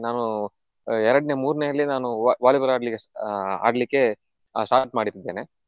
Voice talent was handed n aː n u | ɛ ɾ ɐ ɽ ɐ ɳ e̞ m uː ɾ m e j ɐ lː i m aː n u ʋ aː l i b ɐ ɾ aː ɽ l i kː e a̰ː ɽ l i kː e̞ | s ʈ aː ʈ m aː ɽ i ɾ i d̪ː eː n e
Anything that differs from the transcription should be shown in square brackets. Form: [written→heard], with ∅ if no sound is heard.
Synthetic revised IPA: n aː n u | ɛ ɾ ɐ ɽ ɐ [ɳ→n] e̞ m uː ɾ [m→n] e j ɐ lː i [m→n] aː n u ʋ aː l i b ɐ ɾ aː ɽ l i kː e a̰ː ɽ l i kː e̞ | s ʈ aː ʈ m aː ɽ i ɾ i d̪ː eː n e